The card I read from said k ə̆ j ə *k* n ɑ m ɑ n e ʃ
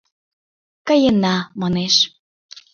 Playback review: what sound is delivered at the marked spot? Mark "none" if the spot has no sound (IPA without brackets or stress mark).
none